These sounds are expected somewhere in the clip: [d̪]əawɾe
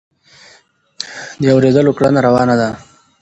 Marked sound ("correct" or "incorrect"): correct